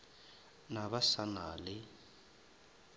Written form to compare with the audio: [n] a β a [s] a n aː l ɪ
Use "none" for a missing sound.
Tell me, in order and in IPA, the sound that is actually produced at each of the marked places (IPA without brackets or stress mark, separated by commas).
n, s